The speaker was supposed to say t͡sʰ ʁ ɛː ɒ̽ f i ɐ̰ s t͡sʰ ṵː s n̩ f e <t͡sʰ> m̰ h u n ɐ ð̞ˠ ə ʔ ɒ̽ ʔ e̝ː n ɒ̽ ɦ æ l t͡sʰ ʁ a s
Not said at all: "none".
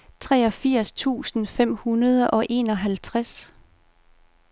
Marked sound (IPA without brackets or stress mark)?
none